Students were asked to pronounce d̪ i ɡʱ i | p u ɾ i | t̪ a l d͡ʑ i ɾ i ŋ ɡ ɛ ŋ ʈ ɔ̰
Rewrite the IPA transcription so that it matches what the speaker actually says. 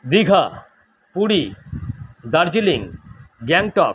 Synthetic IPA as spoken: d̪ i ɡʱ a | p u ɽ i | d̪ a ɾ d͡ʑ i l i ŋ ɡ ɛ ŋ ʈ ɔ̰

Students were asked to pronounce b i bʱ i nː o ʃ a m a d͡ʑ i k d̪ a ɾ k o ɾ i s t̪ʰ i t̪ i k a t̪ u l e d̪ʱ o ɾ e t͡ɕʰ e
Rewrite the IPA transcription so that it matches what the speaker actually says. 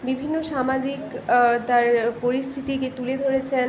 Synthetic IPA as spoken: b i bʱ i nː o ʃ a m a d͡ʑ i k t̪ a ɾ p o ɾ i s t̪ʰ i t̪ i k e t̪ u l e d̪ʱ o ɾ e t͡ɕʰ e

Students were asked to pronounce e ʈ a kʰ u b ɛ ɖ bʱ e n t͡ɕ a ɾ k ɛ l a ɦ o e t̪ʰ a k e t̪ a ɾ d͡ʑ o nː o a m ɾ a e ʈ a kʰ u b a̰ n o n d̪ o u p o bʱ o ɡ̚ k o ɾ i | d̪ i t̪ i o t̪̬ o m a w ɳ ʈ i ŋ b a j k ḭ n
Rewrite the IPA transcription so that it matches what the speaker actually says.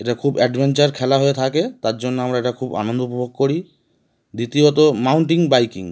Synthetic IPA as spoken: e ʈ a kʰ u b ɛ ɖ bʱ e n t͡ɕ a ɾ kʰ ɛ l a ɦ o e t̪ʰ a k e t̪ a ɾ d͡ʑ o nː o a m ɾ a e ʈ a kʰ u b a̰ n o n d̪ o u p o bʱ o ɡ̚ k o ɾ i | d̪ i t̪ i o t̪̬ o m a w ɳ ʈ i ŋ b a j k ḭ ŋ

